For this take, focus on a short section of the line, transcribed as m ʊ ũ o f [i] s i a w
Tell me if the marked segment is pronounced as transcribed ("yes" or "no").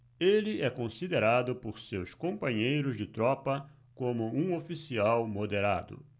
yes